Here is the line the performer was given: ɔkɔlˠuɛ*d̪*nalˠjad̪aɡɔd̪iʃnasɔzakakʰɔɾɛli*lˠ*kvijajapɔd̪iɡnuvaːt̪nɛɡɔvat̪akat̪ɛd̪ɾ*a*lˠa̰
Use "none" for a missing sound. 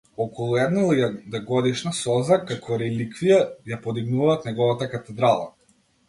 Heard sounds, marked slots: d̪, none, a

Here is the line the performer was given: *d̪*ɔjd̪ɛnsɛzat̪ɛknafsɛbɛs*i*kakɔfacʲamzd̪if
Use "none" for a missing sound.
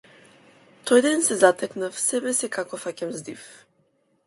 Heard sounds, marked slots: t̪, ɛ

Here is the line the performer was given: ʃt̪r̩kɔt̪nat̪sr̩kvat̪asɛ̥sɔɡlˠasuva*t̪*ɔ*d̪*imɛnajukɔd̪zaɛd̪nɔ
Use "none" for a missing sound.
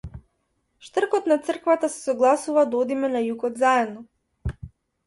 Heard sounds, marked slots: d̪, d̪

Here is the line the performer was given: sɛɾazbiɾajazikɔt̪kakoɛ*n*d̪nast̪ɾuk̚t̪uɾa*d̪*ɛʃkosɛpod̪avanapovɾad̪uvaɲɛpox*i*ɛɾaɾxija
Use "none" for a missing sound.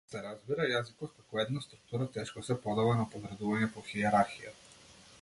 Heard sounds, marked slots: none, t̪, i

